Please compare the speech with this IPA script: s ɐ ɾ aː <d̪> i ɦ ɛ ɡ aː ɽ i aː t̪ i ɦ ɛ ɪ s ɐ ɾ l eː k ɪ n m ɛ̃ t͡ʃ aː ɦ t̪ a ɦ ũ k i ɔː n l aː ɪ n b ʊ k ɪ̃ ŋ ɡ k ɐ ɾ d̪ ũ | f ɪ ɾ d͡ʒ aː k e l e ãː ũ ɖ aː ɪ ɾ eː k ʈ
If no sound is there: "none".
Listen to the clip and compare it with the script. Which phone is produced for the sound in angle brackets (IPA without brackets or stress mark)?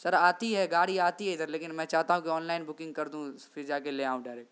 t̪